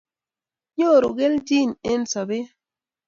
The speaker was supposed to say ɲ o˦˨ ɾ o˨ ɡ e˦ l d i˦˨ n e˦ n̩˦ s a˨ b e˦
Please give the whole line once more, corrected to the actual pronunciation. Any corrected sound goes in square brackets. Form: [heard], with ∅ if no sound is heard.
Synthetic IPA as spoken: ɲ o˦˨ ɾ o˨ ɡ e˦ l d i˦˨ n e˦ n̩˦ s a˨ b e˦